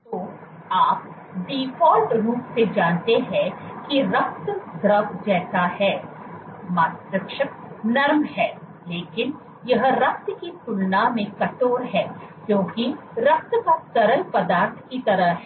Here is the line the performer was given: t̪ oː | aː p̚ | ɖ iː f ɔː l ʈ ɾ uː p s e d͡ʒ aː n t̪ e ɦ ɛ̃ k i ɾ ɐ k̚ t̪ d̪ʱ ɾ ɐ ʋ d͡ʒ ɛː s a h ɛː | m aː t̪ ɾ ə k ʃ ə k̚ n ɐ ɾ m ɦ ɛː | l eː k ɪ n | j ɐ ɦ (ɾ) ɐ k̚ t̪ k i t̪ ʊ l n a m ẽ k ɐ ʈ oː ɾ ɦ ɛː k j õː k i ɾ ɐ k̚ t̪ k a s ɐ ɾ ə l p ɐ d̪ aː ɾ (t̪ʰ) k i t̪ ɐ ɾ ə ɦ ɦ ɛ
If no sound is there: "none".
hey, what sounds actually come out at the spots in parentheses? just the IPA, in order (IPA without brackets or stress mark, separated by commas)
ɾ, t̪ʰ